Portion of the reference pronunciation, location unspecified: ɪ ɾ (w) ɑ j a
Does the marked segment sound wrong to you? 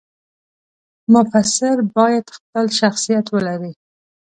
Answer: yes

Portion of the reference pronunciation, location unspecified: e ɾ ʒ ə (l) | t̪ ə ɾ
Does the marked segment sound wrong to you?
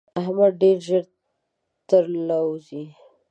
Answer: yes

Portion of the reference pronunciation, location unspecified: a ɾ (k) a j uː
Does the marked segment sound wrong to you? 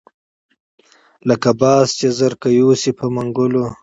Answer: no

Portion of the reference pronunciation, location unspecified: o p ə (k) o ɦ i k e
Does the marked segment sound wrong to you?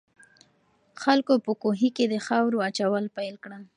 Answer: no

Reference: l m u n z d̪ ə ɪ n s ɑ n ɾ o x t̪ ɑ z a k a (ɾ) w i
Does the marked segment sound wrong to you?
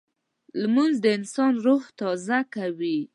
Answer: yes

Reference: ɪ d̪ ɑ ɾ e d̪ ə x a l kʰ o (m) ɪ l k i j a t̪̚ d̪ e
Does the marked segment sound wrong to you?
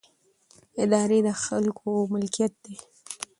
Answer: no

